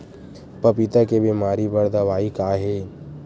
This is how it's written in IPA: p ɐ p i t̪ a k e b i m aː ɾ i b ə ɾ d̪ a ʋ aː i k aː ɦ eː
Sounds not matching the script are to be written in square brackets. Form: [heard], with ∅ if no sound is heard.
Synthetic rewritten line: p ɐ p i t̪ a k e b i m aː ɾ i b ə ɾ d̪ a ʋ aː i k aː ɦ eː